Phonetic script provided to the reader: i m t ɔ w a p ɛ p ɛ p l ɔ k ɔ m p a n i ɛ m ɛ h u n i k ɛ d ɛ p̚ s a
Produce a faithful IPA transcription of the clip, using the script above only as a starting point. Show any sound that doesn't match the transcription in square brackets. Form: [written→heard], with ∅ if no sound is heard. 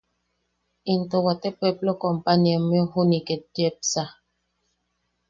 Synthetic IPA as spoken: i [m→n] t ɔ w a [p→t] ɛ p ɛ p l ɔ k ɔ m p a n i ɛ m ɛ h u n i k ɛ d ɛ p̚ s a